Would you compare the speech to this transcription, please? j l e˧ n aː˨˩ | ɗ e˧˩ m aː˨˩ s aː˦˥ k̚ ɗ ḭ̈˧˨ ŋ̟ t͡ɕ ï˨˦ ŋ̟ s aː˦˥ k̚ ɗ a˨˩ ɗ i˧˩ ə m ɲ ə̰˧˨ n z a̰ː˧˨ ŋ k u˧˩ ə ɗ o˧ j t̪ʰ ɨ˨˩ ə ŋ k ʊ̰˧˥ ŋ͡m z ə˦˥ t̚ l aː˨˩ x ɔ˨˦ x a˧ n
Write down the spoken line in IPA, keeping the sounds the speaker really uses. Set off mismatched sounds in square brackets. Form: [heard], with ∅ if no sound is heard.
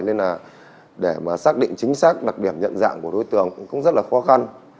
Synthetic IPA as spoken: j l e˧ n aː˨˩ | ɗ e˧˩ m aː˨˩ s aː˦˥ k̚ ɗ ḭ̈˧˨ ŋ̟ t͡ɕ ï˨˦ ŋ̟ s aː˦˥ k̚ ɗ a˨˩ ɗ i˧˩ ə m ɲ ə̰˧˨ n z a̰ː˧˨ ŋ k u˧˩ ə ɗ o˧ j [t̪] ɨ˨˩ ə ŋ k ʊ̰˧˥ ŋ͡m z ə˦˥ t̚ l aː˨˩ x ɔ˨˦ x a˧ n